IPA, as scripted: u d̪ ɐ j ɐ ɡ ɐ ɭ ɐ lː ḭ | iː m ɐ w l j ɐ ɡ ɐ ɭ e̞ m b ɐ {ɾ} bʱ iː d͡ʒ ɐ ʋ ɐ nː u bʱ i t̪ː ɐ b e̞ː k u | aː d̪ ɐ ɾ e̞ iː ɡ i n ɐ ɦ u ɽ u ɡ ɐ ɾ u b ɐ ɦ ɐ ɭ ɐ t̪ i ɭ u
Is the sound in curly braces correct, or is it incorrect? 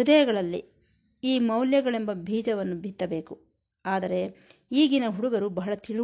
incorrect